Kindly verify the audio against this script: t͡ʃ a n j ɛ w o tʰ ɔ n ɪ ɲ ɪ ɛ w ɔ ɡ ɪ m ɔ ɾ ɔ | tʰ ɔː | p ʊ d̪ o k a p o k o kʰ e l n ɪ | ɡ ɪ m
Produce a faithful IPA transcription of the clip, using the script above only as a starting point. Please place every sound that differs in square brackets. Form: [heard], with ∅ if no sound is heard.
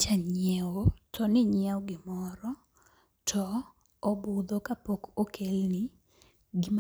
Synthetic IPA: t͡ʃ a [ɲ] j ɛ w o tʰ ɔ n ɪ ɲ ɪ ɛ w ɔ ɡ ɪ m ɔ ɾ ɔ | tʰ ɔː | [b] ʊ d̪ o k a p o k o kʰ e l n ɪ | ɡ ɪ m